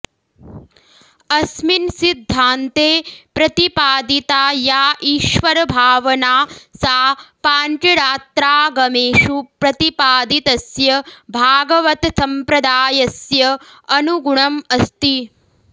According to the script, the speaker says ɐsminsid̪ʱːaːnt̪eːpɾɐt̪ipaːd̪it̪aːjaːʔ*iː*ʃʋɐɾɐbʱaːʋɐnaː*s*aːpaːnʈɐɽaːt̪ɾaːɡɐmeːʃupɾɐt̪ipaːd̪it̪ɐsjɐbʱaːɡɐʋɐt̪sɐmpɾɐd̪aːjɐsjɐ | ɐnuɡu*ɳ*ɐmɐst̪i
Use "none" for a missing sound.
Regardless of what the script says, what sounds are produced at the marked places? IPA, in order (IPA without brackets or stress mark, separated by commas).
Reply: iː, s, ɳ